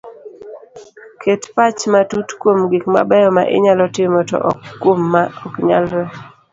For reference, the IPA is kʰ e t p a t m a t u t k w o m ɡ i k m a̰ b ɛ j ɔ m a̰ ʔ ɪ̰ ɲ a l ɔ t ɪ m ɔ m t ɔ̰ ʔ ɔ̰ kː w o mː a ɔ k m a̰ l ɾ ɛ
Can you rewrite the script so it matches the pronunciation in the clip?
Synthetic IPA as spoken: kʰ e t p a t͡ʃ m a t u t k w o m ɡ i k m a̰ b ɛ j ɔ m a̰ ʔ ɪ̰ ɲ a l ɔ t ɪ m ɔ t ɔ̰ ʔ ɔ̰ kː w o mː a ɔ k ɲ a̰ l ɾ ɛ